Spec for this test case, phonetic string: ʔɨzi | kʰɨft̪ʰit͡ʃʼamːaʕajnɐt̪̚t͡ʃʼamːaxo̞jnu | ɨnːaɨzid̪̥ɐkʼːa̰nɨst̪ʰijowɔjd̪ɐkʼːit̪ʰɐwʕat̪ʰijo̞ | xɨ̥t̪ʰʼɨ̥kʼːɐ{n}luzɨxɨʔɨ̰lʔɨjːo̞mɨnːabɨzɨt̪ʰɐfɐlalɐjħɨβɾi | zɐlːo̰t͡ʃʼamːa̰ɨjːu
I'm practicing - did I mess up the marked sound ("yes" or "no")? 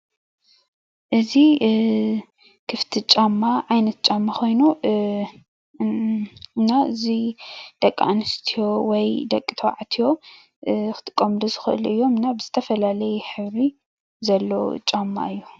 yes